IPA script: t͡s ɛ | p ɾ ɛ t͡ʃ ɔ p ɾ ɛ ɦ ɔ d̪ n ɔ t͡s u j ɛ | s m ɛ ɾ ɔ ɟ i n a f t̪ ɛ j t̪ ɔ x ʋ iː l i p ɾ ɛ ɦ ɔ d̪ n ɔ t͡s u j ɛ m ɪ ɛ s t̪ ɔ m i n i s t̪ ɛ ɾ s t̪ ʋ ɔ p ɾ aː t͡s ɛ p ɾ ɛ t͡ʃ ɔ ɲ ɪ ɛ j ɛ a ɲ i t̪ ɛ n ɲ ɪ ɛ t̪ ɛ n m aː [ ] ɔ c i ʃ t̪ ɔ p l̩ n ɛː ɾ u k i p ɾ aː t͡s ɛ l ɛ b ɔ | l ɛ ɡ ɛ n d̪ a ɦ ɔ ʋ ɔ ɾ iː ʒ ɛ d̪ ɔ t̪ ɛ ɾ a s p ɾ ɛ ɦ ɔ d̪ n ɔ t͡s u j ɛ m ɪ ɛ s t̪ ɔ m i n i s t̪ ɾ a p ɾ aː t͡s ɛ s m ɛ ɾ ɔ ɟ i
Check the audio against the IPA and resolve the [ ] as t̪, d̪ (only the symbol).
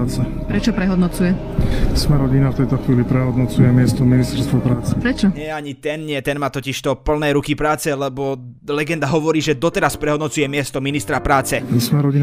t̪